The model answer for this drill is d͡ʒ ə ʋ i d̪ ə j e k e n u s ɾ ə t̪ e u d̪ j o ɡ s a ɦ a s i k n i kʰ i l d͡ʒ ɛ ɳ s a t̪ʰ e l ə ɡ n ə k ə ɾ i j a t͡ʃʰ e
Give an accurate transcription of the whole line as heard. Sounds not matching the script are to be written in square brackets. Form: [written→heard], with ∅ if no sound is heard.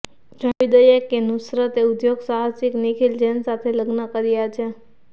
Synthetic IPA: d͡ʒ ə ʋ i d̪ ə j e k e n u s ɾ ə t̪ e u d̪ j o ɡ s a ɦ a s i k n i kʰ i l d͡ʒ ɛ [ɳ→n] s a t̪ʰ e l ə ɡ n ə k ə ɾ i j a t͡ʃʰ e